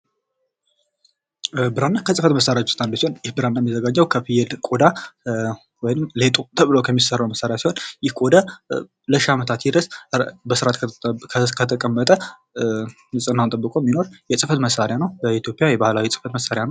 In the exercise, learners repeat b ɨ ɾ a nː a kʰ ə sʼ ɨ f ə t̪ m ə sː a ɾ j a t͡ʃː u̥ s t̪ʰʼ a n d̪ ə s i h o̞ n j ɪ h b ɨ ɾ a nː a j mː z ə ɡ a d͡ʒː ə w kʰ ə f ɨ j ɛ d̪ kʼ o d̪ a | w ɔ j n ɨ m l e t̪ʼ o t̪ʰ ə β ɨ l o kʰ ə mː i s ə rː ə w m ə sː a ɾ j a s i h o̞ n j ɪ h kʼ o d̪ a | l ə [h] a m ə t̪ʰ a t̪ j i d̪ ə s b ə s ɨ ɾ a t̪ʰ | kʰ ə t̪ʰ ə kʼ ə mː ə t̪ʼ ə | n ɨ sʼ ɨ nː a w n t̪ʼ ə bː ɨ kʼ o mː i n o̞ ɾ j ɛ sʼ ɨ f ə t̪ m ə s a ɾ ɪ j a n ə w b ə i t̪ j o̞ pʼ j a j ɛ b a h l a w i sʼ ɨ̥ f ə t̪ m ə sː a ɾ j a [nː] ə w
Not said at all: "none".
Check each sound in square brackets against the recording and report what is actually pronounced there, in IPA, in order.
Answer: ʃ, n

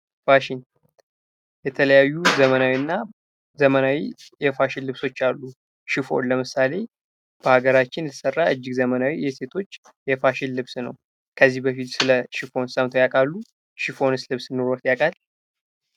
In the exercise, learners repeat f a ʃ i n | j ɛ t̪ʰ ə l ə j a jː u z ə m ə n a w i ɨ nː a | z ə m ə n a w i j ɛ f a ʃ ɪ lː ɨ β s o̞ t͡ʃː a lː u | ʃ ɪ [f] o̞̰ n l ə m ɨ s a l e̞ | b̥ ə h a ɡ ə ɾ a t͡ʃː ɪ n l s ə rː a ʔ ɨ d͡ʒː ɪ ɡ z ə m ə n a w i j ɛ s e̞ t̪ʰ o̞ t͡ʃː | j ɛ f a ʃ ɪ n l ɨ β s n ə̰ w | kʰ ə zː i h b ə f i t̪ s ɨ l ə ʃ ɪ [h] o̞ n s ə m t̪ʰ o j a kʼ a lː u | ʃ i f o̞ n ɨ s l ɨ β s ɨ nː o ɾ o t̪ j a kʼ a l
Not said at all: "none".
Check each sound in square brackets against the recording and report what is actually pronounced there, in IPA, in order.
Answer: f, f

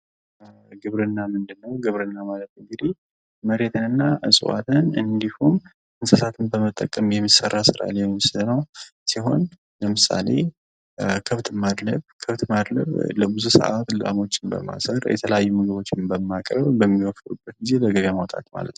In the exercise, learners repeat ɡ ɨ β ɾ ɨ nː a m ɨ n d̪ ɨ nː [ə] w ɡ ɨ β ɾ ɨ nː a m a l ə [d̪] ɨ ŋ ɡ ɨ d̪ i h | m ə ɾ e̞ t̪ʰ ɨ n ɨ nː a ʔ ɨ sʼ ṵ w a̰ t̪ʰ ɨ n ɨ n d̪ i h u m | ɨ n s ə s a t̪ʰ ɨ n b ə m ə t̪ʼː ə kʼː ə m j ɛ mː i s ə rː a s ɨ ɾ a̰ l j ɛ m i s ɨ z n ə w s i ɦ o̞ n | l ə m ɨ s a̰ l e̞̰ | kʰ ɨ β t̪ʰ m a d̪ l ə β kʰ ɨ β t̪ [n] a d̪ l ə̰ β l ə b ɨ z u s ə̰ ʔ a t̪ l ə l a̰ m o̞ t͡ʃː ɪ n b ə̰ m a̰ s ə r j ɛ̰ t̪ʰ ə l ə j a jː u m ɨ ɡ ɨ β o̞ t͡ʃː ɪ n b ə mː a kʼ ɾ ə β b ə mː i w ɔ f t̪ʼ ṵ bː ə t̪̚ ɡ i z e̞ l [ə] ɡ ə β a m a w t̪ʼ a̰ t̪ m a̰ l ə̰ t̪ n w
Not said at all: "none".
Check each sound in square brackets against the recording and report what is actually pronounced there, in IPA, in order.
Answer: ə, t̪, m, ə

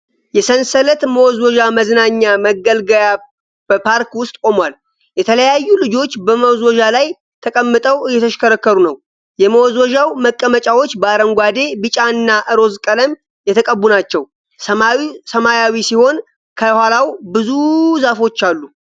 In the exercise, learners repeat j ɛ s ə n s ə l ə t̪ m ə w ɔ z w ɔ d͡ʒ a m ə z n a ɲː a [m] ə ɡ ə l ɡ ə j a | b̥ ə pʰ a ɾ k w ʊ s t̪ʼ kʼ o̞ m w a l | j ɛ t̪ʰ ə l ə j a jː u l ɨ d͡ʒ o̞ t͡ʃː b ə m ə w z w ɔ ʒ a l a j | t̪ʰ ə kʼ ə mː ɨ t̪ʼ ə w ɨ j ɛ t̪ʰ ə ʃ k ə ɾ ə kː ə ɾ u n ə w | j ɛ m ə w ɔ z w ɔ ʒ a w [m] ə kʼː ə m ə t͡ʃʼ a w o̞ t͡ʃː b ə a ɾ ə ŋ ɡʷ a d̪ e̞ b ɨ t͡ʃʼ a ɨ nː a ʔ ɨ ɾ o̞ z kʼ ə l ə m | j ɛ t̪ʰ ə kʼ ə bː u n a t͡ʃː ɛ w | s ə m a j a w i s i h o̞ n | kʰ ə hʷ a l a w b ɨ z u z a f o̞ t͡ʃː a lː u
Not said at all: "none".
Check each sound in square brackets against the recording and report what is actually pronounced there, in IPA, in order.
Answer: m, m

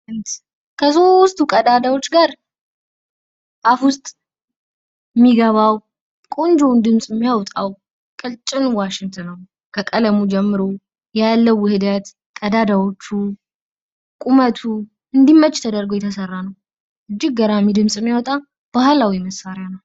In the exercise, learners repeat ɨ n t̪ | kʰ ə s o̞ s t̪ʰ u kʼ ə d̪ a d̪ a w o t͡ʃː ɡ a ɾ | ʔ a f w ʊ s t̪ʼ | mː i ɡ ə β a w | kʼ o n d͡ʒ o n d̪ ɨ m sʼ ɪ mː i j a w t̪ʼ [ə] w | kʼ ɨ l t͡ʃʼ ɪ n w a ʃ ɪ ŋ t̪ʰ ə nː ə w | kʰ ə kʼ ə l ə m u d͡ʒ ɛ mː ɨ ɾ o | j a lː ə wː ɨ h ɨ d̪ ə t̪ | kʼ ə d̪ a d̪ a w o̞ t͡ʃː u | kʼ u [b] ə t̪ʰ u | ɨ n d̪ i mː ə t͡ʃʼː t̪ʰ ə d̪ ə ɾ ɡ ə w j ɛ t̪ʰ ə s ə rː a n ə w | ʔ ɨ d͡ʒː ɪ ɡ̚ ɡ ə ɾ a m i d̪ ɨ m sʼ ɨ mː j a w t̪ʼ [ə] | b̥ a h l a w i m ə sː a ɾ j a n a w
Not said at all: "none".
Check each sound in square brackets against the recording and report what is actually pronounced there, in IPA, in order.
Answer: a, m, a

